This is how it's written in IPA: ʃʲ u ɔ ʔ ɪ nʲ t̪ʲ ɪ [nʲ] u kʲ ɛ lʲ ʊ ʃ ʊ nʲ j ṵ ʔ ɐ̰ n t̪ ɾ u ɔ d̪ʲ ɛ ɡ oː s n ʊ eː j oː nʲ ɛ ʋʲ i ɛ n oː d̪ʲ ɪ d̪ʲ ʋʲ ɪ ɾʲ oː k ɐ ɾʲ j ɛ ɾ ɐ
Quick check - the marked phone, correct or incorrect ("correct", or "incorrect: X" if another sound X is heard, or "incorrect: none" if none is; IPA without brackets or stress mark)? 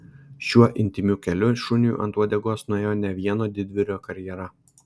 incorrect: mʲ